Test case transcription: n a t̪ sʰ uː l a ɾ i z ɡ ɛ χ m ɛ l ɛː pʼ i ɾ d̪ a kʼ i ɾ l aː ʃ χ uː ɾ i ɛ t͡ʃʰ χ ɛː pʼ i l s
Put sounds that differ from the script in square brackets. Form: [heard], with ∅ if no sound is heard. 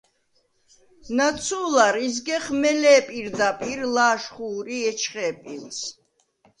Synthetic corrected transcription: n a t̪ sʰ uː l a ɾ i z ɡ ɛ χ m ɛ l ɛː pʼ i ɾ d̪ a [pʼ] i ɾ l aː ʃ χ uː ɾ i ɛ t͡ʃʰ χ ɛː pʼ i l s